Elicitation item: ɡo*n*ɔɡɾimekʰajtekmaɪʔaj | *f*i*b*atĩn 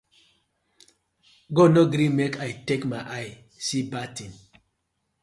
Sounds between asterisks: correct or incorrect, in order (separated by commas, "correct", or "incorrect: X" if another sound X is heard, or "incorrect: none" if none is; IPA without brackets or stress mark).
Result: correct, incorrect: s, correct